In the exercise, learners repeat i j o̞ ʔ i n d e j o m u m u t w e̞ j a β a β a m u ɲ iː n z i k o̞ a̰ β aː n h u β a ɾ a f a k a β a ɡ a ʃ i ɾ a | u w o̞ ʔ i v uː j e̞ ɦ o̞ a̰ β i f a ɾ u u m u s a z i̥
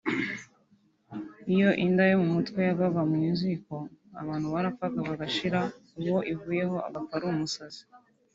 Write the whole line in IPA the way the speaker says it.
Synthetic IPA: i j o̞ ʔ i n d a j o m u m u t w e̞ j a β a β a m u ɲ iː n z i k o̞ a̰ β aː n h u β a ɾ a f a k a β a ɡ a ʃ i ɾ a | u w o̞ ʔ i v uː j e̞ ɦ o̞ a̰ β a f a ɾ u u m u s a z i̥